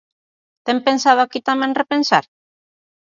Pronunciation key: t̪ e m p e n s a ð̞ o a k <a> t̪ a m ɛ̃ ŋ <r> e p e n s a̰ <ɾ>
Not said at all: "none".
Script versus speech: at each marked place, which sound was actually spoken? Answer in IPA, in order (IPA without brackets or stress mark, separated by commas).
i, r, ɾ